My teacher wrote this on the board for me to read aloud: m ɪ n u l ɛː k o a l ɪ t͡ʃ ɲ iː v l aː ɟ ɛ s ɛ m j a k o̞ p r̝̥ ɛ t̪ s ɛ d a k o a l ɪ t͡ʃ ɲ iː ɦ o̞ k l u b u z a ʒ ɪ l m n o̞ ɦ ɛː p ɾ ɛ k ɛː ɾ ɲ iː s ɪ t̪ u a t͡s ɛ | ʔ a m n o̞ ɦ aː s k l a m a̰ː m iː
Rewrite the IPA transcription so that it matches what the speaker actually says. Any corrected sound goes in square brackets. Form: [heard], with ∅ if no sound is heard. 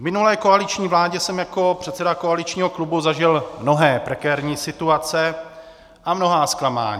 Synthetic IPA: m ɪ n u l ɛː k o a l ɪ t͡ʃ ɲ iː v l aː ɟ ɛ s ɛ m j a k o̞ p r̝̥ ɛ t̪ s ɛ d a k o a l ɪ t͡ʃ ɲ iː ɦ o̞ k l u b u z a ʒ ɪ l m n o̞ ɦ ɛː p ɾ ɛ k ɛː ɾ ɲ iː s ɪ t̪ u a t͡s ɛ | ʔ a m n o̞ ɦ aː s k l a m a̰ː [ɲ] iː